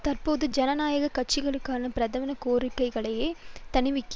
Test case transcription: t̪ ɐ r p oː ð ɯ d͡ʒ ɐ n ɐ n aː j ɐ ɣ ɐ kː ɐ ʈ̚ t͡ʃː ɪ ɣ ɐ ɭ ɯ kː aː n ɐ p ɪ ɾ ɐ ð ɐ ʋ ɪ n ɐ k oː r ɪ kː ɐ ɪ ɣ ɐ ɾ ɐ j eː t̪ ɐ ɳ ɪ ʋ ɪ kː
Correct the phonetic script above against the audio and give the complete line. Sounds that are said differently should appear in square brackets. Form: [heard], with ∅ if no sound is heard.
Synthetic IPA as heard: t̪ ɐ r p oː ð ɯ d͡ʒ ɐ n ɐ n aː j ɐ ɣ ɐ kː ɐ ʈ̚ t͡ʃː ɪ ɣ ɐ ɭ ɯ kː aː n ɐ p ɪ ɾ ɐ ð ɐ ʋ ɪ n ɐ k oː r ɪ kː ɐ ɪ ɣ ɐ [ɭ] ɐ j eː t̪ ɐ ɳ ɪ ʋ ɪ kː